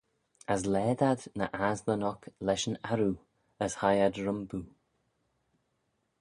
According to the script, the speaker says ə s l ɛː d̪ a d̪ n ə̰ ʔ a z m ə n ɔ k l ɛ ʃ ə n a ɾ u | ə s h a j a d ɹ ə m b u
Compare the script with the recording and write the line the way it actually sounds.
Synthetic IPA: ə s l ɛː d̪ a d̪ n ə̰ ʔ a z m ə n ɔ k l ɛ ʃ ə n a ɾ u | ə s h a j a d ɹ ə m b u